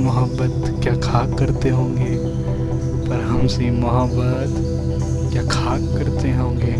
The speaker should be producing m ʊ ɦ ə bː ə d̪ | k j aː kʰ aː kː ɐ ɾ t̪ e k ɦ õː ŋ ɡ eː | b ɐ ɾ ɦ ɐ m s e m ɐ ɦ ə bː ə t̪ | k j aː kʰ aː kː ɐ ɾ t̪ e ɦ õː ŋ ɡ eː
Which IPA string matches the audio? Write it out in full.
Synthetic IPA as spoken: m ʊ ɦ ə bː ə t̪ | k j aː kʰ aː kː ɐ ɾ t̪ e ɦ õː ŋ ɡ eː | p ɐ ɾ ɦ ɐ m s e m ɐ ɦ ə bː ə t̪ | k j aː kʰ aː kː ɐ ɾ t̪ e ɦ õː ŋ ɡ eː